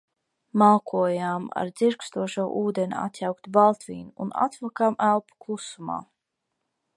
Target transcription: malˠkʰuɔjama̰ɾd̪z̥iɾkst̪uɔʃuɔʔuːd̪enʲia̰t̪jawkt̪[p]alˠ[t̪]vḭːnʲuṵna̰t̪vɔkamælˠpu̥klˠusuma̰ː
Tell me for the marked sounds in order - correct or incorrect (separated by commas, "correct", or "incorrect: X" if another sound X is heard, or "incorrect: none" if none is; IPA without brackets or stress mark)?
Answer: incorrect: b, correct